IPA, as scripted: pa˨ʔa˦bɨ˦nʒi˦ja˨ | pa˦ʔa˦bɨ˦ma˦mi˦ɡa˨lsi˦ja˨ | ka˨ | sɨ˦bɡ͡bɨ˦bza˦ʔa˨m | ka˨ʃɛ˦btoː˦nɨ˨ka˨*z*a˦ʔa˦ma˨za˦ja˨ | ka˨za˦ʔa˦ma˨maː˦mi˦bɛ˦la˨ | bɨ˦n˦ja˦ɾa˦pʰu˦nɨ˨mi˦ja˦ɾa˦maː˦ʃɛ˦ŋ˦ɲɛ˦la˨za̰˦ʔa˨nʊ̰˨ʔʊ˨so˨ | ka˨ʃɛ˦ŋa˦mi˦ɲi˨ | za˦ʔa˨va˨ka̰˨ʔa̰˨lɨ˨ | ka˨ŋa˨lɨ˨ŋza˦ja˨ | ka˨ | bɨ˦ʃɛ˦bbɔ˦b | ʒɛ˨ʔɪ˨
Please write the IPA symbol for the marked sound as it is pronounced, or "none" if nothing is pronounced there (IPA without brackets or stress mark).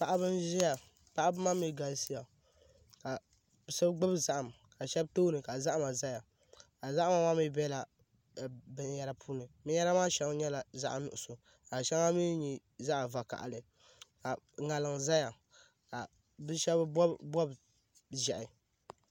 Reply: z